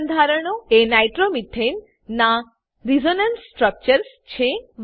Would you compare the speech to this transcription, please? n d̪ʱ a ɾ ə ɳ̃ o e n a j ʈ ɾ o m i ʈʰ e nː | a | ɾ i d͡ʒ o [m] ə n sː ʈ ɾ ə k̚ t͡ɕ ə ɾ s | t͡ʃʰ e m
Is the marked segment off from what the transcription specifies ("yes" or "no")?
yes